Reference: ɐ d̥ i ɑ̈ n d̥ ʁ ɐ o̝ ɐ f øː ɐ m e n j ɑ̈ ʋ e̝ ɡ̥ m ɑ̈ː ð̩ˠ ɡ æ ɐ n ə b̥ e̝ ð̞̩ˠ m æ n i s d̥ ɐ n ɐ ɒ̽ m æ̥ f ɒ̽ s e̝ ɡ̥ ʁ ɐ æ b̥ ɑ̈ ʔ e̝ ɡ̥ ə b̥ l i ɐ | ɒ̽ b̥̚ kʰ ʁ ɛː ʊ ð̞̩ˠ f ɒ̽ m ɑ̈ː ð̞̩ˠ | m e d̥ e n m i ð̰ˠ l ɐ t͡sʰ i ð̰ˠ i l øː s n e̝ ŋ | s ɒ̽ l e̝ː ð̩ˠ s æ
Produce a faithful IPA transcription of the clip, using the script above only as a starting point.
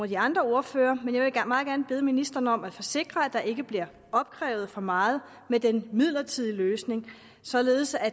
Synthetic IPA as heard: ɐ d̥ i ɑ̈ n d̥ ʁ ɐ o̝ ɐ f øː ɐ m e n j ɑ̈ ʋ e̝ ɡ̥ m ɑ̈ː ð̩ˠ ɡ æ ɐ n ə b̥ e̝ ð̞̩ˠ m i n i s d̥ ɐ n ə ɒ̽ m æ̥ f ɒ̽ s e̝ ɡ̥ ʁ ɐ æ d̥ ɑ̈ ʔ e̝ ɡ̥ ə b̥ l i ɐ | ɒ̽ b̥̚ kʰ ʁ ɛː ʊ ð̞̩ˠ f ɒ̽ m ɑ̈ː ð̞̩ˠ | m e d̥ e n m i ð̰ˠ l ɐ t͡sʰ i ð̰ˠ i l øː s n e̝ ŋ | s ɒ̽ l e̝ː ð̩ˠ s æ